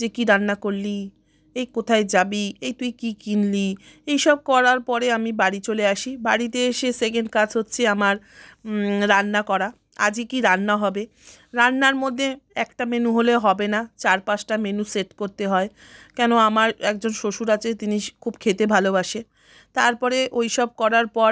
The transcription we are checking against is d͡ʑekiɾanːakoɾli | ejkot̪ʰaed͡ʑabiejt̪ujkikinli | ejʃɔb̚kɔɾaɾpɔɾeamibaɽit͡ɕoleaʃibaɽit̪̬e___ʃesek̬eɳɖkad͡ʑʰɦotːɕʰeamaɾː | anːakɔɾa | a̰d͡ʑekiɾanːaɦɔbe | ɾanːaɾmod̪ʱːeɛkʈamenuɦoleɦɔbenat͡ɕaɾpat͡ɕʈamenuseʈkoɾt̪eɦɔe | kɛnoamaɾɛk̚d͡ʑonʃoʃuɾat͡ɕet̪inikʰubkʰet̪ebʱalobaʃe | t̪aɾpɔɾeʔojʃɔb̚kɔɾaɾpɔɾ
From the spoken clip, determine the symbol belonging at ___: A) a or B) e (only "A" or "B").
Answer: B